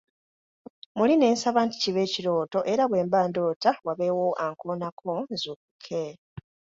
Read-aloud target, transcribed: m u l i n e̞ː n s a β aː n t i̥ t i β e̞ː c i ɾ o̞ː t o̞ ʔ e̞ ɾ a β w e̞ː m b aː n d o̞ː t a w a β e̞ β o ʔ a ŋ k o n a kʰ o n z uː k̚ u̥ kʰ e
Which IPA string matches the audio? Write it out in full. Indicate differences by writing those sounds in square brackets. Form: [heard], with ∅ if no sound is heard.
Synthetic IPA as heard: m u l i n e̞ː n s a β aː n t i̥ [c] i β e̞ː c i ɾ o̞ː t o̞ ʔ e̞ ɾ a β w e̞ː m b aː n d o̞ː t a w a β e̞ [w] o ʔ a ŋ k o n a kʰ o n z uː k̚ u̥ kʰ e